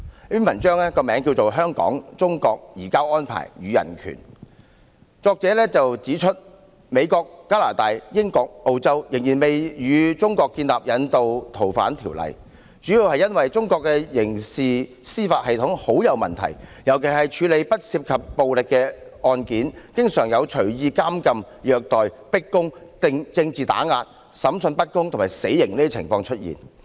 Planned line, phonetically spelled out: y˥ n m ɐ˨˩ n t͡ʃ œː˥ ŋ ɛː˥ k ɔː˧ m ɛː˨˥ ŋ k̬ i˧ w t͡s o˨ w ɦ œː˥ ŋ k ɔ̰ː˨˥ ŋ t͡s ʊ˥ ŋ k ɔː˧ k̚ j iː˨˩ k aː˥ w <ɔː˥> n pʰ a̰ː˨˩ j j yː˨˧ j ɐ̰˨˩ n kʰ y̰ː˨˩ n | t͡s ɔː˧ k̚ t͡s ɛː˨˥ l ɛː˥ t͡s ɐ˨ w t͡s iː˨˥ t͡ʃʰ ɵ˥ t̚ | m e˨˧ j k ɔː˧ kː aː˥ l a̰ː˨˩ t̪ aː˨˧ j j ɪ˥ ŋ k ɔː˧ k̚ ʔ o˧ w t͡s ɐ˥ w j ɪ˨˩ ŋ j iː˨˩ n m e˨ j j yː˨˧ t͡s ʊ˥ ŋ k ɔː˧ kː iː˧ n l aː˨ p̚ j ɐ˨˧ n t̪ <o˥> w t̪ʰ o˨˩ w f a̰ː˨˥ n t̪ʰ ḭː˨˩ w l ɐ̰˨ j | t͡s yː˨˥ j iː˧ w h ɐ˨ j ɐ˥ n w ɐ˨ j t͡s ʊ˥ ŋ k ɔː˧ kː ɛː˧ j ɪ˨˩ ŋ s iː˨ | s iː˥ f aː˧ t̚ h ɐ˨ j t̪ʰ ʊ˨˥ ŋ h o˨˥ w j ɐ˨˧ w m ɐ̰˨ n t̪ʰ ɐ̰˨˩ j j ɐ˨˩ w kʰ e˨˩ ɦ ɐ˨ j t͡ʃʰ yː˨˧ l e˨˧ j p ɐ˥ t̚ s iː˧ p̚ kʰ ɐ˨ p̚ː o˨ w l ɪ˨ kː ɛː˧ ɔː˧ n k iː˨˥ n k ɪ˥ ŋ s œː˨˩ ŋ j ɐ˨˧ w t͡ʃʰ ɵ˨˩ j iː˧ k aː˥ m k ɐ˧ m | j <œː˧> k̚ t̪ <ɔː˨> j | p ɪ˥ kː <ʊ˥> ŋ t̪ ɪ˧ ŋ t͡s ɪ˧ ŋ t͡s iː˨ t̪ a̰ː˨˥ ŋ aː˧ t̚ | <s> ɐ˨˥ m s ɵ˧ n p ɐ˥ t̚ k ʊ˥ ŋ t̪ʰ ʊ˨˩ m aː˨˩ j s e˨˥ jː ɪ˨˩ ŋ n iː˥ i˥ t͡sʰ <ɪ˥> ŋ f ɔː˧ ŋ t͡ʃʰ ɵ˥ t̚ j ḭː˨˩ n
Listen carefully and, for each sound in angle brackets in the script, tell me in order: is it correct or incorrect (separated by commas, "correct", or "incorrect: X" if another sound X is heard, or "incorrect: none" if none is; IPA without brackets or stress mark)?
correct, incorrect: o˨, correct, correct, correct, correct, incorrect: ɪ˨˩